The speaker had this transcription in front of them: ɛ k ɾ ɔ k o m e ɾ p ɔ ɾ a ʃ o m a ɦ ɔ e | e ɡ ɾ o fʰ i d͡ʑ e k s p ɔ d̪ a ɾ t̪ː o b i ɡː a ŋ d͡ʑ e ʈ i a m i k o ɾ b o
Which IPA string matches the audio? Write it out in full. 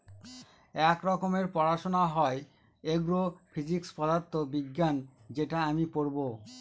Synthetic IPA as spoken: ɛ k ɾ ɔ k o m e ɾ p ɔ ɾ a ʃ o n a ɦ ɔ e | e ɡ ɾ o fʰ i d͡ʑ i k s p ɔ d̪ a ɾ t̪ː o b i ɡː a n d͡ʑ e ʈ a a m i p o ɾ b o